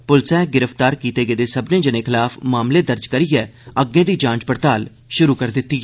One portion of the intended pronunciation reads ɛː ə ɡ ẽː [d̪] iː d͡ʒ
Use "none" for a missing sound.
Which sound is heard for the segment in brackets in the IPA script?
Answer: d̪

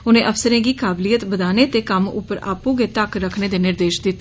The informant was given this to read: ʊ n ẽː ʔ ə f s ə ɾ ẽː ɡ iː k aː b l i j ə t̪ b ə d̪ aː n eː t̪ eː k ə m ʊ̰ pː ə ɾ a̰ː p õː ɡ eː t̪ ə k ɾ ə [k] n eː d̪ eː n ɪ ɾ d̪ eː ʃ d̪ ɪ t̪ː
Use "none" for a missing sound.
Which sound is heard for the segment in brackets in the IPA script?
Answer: kʰ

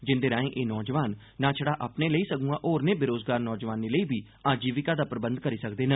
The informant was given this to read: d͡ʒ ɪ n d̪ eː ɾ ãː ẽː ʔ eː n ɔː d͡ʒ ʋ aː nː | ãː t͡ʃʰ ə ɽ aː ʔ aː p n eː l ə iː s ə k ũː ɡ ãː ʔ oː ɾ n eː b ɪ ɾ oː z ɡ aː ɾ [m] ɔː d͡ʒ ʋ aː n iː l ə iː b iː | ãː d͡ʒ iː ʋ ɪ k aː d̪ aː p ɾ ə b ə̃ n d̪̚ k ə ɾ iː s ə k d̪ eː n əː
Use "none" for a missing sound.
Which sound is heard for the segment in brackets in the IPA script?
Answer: n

